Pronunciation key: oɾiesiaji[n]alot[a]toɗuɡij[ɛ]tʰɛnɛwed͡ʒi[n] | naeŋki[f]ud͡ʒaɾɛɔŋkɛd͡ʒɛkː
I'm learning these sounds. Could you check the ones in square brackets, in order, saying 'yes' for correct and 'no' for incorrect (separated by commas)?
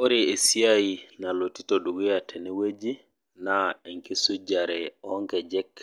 yes, no, no, no, no